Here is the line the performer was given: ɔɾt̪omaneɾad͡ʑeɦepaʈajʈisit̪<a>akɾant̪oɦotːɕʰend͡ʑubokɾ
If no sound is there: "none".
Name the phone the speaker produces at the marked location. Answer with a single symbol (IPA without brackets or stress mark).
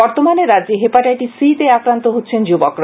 e